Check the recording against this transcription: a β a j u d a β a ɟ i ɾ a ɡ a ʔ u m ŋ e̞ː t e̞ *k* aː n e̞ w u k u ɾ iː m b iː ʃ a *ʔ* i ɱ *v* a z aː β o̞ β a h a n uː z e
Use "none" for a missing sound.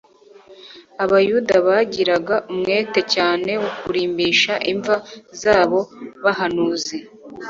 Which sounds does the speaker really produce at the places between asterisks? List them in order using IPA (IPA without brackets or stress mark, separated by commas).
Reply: c, ʔ, v